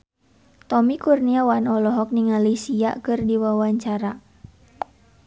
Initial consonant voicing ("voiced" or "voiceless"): voiceless